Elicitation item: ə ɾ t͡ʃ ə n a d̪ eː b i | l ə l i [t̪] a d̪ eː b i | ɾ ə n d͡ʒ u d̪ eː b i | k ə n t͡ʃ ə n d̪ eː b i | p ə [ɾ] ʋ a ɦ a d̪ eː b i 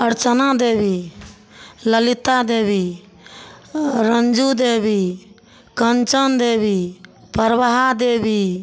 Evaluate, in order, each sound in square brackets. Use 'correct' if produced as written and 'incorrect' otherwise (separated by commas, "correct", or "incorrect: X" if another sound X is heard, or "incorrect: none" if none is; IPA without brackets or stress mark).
correct, correct